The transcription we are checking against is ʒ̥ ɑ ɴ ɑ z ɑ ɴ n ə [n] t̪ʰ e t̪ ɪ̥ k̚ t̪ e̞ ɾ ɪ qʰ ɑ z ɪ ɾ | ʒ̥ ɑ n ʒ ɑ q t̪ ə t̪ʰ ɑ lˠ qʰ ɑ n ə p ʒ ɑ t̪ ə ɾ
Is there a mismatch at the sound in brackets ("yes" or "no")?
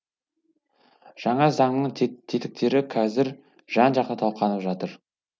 yes